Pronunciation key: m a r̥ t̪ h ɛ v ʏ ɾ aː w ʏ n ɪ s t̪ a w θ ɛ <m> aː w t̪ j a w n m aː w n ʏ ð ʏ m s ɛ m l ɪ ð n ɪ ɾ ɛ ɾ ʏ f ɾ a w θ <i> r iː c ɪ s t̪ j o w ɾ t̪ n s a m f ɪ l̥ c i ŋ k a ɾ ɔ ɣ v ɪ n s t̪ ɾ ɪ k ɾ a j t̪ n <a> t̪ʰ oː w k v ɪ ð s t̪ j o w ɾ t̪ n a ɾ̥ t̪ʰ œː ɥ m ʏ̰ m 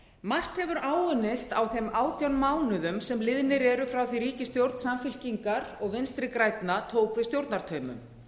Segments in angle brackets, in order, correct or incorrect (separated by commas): correct, correct, correct